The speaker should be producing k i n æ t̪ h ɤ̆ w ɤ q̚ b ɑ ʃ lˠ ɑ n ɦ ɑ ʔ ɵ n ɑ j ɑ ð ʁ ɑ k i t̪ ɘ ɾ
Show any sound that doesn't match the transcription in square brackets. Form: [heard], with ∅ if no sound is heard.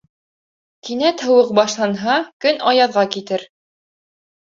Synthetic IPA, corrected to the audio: k i n æ t̪ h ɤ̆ w ɤ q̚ b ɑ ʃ lˠ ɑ n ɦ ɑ [k] ɵ n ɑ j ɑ ð ʁ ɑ k i t̪ ɘ ɾ